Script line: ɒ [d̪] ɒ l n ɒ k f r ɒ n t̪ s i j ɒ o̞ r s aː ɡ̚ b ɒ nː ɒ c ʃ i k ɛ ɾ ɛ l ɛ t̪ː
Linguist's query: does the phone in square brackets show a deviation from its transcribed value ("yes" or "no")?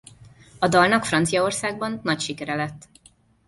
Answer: no